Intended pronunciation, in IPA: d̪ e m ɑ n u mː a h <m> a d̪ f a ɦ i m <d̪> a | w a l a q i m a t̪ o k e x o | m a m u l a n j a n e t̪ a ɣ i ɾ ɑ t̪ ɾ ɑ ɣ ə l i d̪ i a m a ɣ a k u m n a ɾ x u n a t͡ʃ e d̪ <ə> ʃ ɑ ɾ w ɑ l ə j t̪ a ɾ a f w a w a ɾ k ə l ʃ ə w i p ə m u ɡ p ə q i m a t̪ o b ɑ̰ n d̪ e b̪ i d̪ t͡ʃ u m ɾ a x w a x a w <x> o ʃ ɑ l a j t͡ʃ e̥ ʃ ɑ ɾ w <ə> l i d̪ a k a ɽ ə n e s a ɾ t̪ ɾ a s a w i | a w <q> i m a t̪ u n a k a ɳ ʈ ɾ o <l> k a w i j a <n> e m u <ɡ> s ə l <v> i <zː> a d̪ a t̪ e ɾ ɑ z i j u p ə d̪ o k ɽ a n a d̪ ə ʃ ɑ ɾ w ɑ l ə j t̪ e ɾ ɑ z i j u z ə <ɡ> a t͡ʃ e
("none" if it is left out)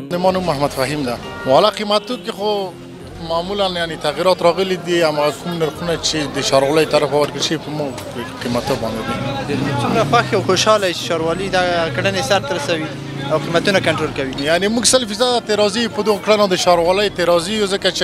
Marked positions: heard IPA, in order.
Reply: m, d̪, ə, x, ɑ, q, l, n, ɡ, f, z, k

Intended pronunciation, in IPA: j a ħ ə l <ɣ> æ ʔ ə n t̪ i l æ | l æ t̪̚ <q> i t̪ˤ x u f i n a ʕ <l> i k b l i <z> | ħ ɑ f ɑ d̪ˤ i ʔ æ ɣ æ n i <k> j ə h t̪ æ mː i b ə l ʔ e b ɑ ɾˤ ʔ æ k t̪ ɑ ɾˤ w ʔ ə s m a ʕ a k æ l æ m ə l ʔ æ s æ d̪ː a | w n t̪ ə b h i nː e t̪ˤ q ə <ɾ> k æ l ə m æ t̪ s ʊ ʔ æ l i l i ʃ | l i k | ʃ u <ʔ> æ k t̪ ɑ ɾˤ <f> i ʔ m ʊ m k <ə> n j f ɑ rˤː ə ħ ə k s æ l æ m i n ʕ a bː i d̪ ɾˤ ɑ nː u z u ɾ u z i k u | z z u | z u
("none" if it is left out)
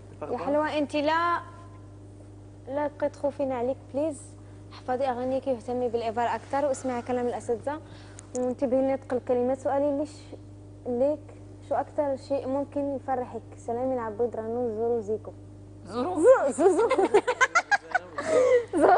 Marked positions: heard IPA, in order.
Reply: w, q, l, z, k, l, ʔ, ʃ, ə

